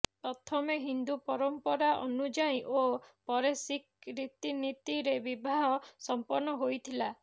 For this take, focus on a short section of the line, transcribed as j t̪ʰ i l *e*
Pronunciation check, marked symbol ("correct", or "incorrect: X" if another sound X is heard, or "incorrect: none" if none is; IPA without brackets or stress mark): incorrect: a